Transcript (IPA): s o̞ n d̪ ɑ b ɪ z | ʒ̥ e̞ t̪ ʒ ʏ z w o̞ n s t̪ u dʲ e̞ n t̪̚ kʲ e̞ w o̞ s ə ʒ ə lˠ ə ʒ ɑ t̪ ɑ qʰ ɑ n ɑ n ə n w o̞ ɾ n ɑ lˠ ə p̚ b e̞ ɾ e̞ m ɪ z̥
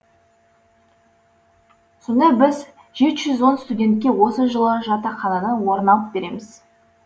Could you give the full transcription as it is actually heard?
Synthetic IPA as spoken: s o̞ n d̪ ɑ b ɪ z | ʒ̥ e̞ t̪ ʒ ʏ z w o̞ n s t̪ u dʲ e̞ n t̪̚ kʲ e̞ w o̞ s ə ʒ ə lˠ ə ʒ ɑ t̪ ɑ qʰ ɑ n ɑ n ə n w o̞ ɾ n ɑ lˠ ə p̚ b e̞ ɾ e̞ m ɪ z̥